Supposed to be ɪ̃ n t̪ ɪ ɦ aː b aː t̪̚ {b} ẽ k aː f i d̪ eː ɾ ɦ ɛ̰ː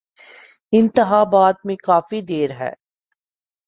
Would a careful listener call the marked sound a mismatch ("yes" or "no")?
yes